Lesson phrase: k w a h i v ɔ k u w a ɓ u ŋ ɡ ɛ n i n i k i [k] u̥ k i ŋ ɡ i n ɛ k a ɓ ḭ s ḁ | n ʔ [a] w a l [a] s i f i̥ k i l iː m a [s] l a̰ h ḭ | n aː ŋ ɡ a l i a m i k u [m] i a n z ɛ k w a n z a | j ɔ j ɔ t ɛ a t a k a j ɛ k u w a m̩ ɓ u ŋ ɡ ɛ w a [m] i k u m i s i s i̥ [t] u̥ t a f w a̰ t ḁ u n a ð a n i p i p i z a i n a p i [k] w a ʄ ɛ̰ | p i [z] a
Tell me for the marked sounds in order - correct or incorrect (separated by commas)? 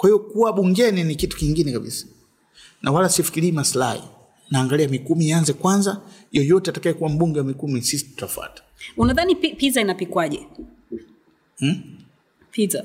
incorrect, correct, correct, correct, correct, correct, correct, correct, correct